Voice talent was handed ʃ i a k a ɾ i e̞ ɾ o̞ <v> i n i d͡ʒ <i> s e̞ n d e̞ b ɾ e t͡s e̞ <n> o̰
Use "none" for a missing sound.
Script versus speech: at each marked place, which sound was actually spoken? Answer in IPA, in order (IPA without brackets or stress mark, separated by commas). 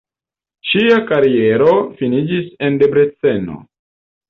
f, i, n